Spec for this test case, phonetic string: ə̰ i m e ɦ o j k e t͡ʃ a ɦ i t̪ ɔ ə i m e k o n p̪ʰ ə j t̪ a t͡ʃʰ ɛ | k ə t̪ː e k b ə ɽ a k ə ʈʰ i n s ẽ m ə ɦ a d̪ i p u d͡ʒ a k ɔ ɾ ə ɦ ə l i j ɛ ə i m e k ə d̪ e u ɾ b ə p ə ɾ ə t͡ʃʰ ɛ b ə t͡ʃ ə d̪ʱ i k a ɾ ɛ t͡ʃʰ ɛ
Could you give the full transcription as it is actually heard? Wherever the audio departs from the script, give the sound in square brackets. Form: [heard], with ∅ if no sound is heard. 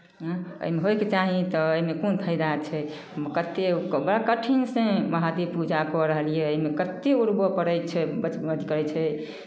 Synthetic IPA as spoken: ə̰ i m e ɦ o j k e t͡ʃ a ɦ i t̪ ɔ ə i m e k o n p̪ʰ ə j [d̪] a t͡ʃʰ ɛ | k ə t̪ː e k b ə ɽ a k ə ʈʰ i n s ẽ m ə ɦ a d̪ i p u d͡ʒ a k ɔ ɾ ə ɦ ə l i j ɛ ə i m e k ə [t̪] e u ɾ b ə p ə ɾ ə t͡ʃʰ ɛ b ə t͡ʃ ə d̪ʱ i k [ə] ɾ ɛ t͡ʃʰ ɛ